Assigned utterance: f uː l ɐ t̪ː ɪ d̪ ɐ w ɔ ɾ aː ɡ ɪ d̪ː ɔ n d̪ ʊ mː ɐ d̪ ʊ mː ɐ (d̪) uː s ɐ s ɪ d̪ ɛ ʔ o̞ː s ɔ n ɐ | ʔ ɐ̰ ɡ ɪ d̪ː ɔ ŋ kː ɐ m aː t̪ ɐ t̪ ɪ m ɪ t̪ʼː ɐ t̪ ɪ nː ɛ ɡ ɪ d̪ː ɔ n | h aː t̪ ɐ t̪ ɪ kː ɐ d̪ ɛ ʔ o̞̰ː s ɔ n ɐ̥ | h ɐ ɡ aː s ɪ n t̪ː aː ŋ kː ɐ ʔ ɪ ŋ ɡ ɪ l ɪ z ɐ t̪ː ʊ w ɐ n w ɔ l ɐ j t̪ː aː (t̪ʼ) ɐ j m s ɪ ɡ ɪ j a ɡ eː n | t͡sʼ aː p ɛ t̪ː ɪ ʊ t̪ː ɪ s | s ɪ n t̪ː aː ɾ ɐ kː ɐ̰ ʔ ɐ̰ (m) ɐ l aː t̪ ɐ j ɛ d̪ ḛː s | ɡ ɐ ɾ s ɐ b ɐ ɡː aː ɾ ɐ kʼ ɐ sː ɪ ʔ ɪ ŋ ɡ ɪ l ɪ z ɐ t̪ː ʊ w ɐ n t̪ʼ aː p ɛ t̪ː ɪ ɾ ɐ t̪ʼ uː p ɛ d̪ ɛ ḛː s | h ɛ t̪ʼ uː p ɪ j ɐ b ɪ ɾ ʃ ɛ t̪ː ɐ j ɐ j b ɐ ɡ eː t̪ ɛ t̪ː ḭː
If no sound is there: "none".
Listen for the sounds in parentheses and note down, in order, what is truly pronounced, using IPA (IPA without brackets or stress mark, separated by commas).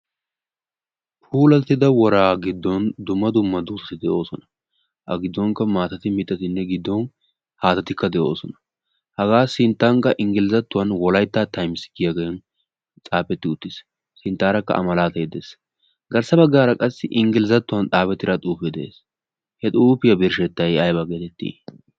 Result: d̪, t̪, m